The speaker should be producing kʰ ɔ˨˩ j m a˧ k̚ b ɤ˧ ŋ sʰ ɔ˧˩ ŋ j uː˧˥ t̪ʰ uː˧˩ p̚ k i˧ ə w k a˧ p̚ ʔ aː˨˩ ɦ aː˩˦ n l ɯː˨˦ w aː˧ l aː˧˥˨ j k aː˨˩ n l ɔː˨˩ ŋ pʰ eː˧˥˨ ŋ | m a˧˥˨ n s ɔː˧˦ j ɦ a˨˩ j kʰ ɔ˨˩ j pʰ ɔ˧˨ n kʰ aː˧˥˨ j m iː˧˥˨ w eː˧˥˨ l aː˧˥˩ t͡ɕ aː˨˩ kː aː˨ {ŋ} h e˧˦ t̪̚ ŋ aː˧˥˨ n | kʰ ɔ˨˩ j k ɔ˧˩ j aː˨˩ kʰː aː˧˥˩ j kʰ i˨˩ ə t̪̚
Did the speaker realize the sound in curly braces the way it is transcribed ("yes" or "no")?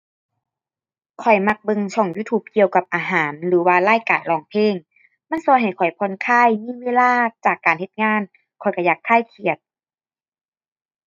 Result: no